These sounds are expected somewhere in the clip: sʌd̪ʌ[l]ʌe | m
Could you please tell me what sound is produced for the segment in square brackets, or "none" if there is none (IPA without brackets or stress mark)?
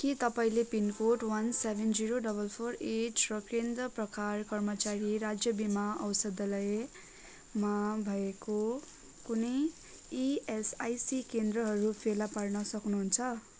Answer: l